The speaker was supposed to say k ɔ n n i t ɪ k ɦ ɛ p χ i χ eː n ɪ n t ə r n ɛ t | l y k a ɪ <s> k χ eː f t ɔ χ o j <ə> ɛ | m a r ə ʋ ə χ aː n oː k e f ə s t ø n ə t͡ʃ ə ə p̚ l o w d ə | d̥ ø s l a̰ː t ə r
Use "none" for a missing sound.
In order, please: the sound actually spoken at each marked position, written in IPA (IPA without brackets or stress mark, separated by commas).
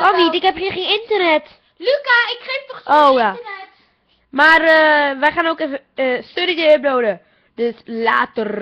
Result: none, a